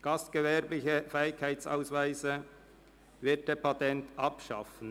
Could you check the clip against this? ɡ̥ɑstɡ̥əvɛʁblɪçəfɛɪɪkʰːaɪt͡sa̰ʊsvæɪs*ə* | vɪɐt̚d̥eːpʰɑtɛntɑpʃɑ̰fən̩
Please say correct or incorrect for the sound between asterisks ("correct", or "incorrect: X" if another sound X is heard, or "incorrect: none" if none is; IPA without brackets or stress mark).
correct